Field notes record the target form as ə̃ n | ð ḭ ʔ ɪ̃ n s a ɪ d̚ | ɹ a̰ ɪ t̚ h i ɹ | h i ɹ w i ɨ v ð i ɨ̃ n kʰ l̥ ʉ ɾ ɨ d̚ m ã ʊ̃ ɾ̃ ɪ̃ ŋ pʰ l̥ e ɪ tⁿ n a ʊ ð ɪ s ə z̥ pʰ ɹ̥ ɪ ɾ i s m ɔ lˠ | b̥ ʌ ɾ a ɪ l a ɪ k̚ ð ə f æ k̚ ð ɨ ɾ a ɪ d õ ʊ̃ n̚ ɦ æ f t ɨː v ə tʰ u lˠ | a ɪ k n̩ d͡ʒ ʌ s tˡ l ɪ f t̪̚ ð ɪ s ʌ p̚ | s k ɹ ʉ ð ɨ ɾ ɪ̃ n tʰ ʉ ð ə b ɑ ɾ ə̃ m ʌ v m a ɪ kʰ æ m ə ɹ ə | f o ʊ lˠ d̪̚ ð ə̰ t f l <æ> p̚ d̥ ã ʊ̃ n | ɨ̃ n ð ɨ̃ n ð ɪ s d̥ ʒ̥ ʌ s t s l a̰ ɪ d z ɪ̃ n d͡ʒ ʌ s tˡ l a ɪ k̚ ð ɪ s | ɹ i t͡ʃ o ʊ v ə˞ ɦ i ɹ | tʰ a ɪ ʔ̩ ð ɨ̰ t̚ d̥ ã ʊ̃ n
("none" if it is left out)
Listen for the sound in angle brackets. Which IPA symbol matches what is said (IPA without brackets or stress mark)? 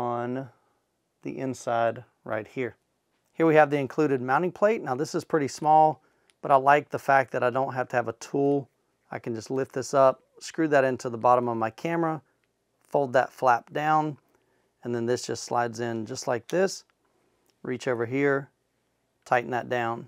æ